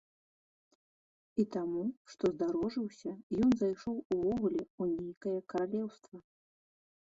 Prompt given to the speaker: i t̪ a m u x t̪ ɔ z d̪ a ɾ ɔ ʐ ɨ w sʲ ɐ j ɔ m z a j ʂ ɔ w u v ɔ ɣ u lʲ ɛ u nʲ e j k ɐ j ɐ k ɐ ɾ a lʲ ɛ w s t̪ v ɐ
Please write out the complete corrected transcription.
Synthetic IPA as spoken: i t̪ a m u ʂ t̪ ɔ z d̪ a ɾ ɔ ʐ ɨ w sʲ ɐ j ɔ n z a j ʂ ɔ w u v ɔ ɣ u lʲ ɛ u nʲ e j k ɐ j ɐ k ɐ ɾ a lʲ ɛ w s t̪ v ɐ